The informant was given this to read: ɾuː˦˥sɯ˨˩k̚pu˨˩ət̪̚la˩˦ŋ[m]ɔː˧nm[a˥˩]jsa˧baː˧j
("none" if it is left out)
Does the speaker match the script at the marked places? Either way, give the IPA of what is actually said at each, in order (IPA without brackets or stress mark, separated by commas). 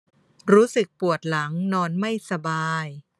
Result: n, a˥˩